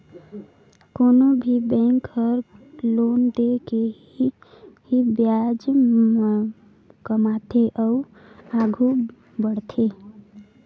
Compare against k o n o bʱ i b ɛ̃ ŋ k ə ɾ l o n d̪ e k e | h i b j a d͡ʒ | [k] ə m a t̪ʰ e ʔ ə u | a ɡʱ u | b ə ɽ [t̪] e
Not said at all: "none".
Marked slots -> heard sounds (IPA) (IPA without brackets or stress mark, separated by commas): k, t̪ʰ